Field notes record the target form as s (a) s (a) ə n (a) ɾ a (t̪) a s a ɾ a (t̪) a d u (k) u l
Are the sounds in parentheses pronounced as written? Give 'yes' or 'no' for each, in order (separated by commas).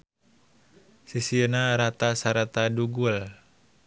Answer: no, no, yes, yes, yes, no